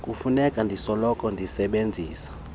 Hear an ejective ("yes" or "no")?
yes